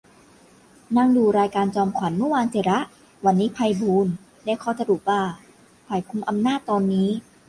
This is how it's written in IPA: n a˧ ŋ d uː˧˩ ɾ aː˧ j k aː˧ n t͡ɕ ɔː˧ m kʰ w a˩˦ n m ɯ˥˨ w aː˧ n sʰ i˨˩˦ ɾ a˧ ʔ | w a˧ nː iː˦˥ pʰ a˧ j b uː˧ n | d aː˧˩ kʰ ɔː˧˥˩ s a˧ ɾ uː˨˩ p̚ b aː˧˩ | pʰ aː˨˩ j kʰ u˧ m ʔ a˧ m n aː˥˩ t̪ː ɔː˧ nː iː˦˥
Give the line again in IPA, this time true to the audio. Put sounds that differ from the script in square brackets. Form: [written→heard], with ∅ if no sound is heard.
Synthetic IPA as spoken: n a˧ ŋ d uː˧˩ ɾ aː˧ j k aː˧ n t͡ɕ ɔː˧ m kʰ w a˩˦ n m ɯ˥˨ w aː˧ n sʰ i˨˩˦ ɾ [a˧→a˦˥] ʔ | w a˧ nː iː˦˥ pʰ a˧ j b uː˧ n | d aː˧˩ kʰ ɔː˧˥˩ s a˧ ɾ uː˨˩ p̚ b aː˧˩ | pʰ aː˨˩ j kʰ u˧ m ʔ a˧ m n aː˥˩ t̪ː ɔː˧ nː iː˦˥